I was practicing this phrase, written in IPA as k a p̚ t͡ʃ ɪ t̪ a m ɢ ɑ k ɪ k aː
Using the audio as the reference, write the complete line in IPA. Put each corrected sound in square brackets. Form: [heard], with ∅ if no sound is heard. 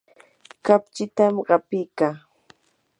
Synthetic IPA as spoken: k a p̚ t͡ʃ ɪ t̪ a m ɢ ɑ [p] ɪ k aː